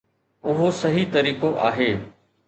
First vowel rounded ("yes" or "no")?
yes